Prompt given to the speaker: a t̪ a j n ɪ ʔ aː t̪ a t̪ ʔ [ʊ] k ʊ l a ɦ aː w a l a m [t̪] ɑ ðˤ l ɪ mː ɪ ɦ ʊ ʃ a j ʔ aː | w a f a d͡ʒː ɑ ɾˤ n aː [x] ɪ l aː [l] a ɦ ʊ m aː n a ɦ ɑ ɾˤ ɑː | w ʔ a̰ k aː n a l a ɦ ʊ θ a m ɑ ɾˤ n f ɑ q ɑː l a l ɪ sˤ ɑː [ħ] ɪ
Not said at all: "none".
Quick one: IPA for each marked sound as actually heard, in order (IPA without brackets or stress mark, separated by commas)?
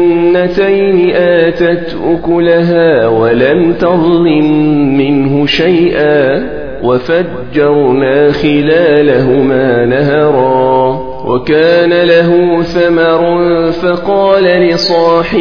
ʊ, t̪, x, l, ħ